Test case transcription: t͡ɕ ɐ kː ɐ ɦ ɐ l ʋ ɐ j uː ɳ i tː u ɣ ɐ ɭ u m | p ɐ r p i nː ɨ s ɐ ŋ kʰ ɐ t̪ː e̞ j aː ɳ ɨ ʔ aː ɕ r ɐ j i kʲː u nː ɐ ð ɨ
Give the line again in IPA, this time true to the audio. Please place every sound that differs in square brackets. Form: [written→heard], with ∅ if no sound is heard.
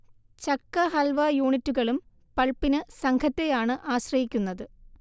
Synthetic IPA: t͡ɕ ɐ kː ɐ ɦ ɐ l ʋ ɐ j uː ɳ i tː u ɣ ɐ ɭ u m | p ɐ [r→ɭ] p i [nː→n] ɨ s ɐ ŋ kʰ ɐ t̪ː e̞ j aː ɳ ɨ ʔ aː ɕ r ɐ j i kʲː u nː ɐ ð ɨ